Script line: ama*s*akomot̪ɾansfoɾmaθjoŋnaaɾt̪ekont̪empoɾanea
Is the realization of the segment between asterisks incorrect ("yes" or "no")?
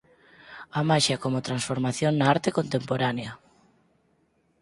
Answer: yes